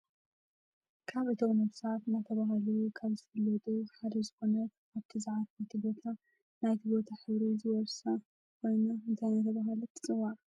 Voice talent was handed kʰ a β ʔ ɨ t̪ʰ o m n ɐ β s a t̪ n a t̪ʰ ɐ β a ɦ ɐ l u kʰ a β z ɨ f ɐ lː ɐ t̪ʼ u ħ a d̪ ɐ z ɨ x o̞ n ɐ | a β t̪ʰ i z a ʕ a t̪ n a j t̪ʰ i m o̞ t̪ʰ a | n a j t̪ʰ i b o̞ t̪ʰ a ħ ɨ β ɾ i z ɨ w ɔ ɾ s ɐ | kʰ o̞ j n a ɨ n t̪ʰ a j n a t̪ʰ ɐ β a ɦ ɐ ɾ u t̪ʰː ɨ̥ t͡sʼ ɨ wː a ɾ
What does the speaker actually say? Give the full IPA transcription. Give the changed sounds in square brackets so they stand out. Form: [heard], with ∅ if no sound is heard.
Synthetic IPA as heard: kʰ a β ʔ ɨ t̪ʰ o m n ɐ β s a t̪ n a t̪ʰ ɐ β a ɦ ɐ l u kʰ a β z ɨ f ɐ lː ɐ t̪ʼ u ħ a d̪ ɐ z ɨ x o̞ n ɐ | a β t̪ʰ i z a ʕ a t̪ n a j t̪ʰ i [b] o̞ t̪ʰ a | n a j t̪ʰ i b o̞ t̪ʰ a ħ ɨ β ɾ i z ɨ w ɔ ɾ s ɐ | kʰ o̞ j n a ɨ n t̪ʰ a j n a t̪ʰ ɐ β a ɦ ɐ [l] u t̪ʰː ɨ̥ t͡sʼ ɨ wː a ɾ